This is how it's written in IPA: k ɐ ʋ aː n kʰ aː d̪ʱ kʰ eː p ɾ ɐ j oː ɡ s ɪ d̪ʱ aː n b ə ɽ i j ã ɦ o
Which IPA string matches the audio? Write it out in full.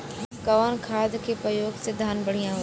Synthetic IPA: k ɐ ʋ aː n kʰ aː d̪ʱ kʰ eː p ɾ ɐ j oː ɡ s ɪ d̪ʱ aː n b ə ɽ i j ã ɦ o